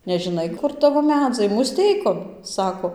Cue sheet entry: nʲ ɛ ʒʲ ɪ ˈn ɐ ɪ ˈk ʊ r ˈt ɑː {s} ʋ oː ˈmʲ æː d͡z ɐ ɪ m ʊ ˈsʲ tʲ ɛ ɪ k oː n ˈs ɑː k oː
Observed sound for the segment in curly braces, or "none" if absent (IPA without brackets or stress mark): none